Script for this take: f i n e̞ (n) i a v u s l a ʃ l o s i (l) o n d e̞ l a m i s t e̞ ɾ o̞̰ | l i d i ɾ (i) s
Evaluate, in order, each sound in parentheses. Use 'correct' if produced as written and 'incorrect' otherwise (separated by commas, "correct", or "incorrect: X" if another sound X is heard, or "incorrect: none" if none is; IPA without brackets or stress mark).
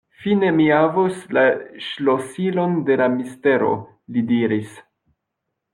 incorrect: m, correct, correct